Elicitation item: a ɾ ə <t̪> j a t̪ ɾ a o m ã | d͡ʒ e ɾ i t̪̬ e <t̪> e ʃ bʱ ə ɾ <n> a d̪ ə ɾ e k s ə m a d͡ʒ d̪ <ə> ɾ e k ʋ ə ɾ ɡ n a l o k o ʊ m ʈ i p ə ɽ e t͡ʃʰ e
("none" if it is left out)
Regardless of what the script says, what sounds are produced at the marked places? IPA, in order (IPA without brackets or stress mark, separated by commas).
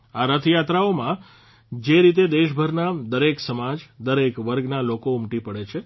t̪ʰ, d̪, n, ə